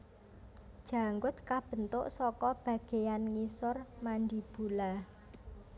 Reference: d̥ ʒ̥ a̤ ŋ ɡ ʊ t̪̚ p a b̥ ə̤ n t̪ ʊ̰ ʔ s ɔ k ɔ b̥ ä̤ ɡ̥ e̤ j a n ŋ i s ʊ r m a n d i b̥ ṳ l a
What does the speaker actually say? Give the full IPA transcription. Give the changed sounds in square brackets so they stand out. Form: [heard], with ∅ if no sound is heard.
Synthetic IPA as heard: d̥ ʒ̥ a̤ ŋ ɡ ʊ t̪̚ [k] a b̥ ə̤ n t̪ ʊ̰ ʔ s ɔ k ɔ b̥ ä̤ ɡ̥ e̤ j a n ŋ i s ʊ r m a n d i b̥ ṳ l a

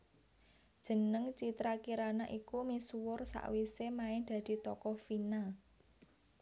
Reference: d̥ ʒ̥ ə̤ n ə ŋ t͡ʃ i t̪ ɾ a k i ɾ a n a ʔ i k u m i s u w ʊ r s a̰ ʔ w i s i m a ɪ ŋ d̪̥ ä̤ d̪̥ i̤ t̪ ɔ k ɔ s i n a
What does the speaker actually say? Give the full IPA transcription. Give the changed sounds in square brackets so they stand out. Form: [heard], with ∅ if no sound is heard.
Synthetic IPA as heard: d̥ ʒ̥ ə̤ n ə ŋ t͡ʃ i t̪ ɾ a k i ɾ a n a ʔ i k u m i s u w ʊ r s a̰ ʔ w i s [e] m a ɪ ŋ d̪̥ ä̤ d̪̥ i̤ t̪ ɔ k ɔ [f] i n a

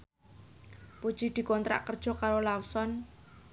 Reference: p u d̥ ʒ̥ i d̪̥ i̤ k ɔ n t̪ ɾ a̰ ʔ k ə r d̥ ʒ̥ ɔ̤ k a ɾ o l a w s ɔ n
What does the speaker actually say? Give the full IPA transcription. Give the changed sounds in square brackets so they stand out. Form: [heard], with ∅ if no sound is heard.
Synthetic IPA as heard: p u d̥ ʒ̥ i d̪̥ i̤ k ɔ n t̪ ɾ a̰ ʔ k ə r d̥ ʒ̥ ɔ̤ k a ɾ o l a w s ɔ n

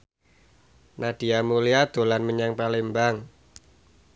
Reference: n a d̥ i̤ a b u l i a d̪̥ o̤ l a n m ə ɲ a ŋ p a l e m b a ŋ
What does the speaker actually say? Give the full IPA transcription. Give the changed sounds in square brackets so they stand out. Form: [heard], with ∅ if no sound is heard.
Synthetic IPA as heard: n a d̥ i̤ a [m] u l i a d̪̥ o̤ l a n m ə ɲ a ŋ p a l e m b a ŋ

